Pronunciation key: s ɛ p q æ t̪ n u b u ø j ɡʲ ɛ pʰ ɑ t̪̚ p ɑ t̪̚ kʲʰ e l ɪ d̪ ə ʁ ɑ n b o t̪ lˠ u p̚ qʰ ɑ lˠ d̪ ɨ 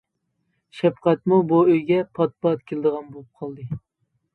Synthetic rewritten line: ʃ ɛ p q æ t̪ m u b u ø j ɡʲ ɛ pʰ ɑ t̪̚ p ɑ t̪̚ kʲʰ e l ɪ d̪ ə ʁ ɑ n b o lˠ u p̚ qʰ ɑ lˠ d̪ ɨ